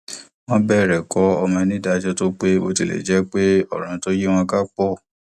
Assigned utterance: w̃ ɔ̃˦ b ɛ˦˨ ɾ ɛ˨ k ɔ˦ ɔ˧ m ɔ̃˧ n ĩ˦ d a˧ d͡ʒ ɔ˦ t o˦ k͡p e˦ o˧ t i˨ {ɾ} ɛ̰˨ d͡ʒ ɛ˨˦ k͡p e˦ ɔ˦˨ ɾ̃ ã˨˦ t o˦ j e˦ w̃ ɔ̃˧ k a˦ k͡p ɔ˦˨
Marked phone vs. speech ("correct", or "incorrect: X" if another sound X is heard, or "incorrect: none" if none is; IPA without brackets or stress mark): incorrect: l